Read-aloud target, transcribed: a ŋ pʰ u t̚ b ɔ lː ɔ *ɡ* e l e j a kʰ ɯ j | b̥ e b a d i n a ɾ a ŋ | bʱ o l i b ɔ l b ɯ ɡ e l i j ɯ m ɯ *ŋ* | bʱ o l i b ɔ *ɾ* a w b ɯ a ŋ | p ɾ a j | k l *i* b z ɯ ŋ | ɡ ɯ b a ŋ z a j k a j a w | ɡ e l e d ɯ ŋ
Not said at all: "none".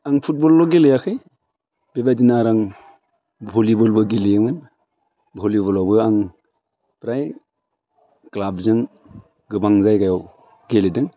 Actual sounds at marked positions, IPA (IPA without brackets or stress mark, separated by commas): ɡ, n, l, a